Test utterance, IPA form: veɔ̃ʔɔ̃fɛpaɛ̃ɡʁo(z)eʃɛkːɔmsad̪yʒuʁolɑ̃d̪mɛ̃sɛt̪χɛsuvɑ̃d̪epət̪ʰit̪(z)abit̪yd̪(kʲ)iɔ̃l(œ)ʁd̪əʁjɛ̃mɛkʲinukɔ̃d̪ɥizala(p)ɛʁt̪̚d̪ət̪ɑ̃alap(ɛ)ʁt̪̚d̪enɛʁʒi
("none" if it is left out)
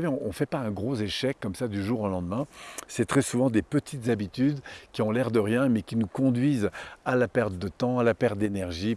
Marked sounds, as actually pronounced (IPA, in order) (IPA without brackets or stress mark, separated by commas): z, z, kʲ, ɛ, p, ɛ